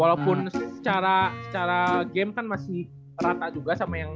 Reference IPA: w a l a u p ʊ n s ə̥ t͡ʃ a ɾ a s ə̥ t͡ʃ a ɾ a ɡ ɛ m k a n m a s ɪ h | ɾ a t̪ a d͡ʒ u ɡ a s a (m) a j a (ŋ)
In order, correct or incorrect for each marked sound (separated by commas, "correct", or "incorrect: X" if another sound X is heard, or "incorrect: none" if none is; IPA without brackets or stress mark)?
correct, correct